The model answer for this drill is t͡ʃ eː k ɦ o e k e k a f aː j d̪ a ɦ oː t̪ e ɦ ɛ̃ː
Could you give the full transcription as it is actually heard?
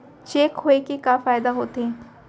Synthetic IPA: t͡ʃ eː k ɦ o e k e k a f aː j d̪ a ɦ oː t̪ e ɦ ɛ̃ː